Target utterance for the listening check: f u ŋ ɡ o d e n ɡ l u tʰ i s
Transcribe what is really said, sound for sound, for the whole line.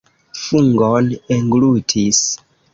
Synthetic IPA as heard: f u ŋ ɡ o n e ŋ ɡ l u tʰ i s